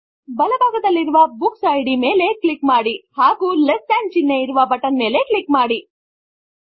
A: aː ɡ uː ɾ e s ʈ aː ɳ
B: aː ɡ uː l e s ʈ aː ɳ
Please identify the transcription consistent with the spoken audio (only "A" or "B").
B